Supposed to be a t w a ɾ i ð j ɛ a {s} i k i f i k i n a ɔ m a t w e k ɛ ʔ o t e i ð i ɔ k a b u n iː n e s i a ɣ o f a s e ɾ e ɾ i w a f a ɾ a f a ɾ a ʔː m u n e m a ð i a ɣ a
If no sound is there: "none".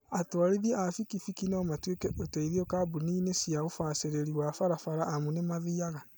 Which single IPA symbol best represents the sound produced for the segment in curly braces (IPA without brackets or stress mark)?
f